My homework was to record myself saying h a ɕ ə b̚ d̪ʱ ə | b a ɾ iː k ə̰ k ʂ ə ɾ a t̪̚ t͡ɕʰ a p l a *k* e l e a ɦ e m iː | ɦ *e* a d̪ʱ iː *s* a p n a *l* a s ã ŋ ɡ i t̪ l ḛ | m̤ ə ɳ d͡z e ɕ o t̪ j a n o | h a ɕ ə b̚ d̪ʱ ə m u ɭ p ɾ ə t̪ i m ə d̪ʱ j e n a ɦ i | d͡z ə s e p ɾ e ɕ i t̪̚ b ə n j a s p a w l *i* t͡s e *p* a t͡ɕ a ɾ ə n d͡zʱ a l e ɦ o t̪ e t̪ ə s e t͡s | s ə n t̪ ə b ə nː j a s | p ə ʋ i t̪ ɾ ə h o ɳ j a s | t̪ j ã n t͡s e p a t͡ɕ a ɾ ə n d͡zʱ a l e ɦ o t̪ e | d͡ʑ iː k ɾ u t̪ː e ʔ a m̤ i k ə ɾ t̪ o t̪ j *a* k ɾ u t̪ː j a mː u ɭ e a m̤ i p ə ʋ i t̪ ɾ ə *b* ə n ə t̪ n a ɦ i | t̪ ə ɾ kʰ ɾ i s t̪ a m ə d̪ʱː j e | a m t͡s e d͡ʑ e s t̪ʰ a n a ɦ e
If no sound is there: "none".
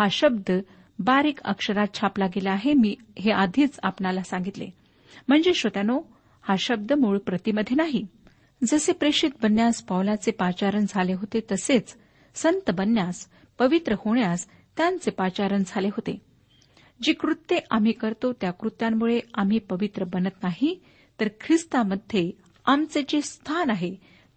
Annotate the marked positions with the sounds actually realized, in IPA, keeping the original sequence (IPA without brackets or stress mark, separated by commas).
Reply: ɡ, e, t͡s, l, a, p, a, b